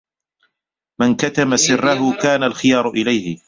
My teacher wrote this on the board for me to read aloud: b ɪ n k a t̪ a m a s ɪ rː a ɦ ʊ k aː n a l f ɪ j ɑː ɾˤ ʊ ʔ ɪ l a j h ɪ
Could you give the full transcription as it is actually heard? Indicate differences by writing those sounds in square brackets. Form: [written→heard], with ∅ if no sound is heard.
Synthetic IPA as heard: [b→m] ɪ n k a t̪ a m a s ɪ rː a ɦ ʊ k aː n a l [f→x] ɪ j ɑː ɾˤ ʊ ʔ ɪ l a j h ɪ